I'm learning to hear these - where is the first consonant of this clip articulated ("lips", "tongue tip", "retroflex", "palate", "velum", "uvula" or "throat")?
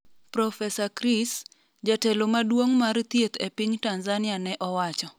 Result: lips